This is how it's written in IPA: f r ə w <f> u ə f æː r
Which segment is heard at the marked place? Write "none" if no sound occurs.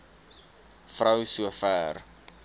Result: s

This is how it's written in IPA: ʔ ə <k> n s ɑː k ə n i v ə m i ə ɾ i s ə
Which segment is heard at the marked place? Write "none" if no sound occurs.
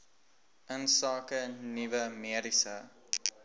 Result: none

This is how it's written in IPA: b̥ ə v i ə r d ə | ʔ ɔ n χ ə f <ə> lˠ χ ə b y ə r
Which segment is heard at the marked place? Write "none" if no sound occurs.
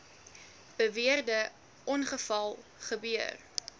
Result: ɐ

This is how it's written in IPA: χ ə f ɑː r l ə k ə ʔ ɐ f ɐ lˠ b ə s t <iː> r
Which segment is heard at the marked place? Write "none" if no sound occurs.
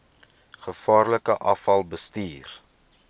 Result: iː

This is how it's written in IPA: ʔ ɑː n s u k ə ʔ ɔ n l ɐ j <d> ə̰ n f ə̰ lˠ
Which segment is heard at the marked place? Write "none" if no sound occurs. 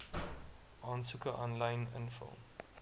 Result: n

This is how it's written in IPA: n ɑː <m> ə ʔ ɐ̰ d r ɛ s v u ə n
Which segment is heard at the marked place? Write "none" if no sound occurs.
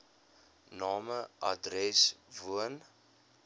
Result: m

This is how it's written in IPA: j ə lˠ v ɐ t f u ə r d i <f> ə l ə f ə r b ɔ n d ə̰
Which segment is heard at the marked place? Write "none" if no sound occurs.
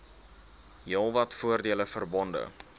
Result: none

